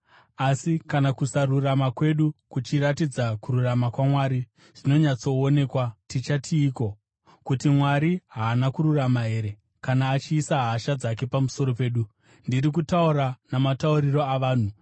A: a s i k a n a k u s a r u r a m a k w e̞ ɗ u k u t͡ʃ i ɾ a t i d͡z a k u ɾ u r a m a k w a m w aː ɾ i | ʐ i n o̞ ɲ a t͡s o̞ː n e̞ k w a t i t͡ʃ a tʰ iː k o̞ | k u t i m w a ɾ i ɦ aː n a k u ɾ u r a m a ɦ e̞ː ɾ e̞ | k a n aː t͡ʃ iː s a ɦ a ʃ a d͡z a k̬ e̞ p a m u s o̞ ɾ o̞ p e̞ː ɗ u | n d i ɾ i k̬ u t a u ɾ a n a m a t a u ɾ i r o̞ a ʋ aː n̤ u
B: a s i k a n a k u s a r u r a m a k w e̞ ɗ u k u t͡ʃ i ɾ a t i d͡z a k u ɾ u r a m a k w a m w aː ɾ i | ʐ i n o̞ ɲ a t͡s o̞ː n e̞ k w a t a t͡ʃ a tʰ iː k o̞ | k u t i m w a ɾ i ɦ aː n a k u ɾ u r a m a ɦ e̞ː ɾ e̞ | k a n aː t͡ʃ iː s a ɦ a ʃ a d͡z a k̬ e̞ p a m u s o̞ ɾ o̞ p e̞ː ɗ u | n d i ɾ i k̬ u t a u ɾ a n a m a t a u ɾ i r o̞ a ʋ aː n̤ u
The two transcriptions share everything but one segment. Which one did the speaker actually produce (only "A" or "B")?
A